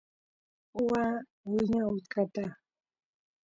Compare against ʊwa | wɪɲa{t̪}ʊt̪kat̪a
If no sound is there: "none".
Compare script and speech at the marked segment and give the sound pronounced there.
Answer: none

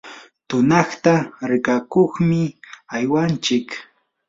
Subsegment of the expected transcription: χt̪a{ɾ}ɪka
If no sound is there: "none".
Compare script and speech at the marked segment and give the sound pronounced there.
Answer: ɾ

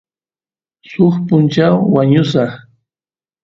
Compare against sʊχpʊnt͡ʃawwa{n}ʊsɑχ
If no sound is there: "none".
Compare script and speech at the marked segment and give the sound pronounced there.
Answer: ɲ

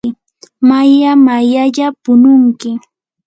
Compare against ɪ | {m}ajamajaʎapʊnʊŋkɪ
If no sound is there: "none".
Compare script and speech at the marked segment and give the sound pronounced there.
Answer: m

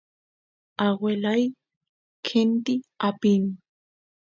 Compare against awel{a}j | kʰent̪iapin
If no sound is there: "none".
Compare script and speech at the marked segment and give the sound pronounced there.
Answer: a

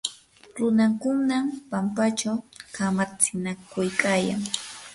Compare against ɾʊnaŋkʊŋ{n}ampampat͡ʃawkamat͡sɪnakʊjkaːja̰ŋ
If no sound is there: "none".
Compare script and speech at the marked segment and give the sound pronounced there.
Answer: n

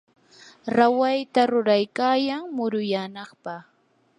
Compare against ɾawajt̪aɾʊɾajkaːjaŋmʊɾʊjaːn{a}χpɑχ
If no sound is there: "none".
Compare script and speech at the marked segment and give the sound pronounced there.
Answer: ɑ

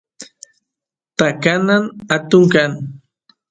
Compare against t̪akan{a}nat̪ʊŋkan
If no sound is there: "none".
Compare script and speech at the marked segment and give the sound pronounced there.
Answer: a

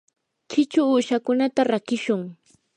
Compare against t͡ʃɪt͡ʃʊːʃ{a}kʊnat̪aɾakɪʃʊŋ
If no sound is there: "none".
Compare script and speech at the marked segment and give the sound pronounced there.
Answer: a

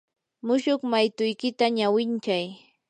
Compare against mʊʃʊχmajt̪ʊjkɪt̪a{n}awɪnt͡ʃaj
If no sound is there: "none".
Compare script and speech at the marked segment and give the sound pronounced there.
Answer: ɲ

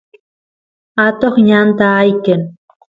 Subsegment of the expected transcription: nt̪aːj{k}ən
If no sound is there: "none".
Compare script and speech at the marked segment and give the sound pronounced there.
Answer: k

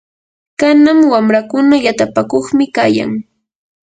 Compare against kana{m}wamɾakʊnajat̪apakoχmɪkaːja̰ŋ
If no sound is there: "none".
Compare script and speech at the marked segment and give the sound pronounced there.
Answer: m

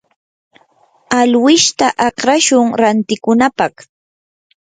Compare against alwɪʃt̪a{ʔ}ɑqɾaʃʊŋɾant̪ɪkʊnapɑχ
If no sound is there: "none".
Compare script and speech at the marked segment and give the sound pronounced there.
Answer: ʔ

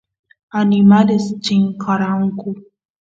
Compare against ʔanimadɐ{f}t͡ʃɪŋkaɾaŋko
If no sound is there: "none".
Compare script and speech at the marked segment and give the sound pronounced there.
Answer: s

